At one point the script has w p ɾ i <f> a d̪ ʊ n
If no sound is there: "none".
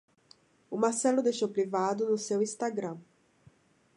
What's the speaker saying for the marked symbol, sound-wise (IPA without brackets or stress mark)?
v